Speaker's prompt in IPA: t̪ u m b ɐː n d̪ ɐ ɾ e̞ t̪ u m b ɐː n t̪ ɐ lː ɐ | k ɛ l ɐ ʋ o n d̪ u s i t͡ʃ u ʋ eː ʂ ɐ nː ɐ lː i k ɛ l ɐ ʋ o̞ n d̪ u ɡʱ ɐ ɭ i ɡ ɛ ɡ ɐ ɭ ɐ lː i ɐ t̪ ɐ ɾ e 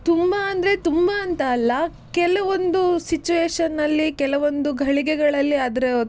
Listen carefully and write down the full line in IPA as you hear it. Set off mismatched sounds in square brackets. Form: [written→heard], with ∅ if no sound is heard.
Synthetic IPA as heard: t̪ u m b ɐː n d̪ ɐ ɾ e̞ t̪ u m b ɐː n t̪ [ɐ→ɐː] lː ɐ | k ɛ l ɐ ʋ o n d̪ u s i t͡ʃ u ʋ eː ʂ ɐ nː ɐ lː i k ɛ l ɐ ʋ o̞ n d̪ u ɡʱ ɐ ɭ i ɡ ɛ ɡ ɐ ɭ ɐ lː i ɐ [t̪→d̪] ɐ ɾ e